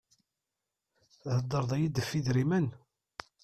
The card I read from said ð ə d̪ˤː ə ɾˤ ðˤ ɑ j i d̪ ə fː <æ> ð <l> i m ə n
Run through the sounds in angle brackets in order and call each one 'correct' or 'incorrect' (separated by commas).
incorrect, incorrect